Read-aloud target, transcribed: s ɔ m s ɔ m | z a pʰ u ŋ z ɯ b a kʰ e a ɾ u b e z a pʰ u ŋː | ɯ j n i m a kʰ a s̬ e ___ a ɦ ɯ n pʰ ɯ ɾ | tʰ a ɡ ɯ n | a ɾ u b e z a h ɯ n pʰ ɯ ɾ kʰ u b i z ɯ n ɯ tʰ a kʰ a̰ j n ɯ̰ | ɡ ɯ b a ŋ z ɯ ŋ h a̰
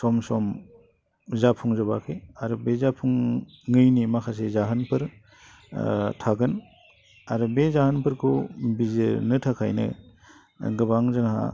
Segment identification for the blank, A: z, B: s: A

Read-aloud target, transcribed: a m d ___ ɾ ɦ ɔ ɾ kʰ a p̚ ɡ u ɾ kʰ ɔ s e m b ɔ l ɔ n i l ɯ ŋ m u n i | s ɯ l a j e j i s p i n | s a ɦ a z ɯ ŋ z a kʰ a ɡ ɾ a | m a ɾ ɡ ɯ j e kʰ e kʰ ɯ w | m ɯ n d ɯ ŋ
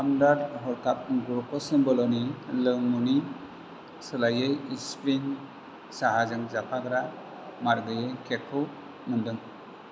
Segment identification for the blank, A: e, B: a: B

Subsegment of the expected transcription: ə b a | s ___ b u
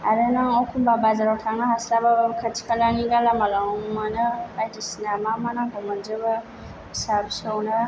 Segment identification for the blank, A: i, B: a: B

